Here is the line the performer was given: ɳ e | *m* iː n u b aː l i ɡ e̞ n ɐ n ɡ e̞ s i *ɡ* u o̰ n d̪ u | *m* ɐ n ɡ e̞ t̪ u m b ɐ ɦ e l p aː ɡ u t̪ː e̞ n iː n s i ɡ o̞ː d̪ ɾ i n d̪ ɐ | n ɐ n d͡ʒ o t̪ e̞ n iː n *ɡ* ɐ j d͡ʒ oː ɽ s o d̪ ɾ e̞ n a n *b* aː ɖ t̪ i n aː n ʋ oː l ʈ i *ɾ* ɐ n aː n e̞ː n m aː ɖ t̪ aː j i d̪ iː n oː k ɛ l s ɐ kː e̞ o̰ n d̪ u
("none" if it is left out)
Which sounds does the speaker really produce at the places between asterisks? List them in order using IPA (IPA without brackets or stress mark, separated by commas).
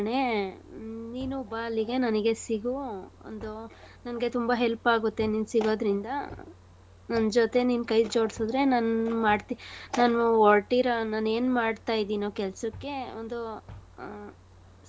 n, ɡ, n, k, m, ɾ